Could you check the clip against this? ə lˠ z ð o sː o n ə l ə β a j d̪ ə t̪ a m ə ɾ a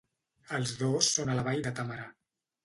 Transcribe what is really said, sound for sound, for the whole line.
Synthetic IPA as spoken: ə lˠ z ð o sː o n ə l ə β a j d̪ ə t̪ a m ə ɾ a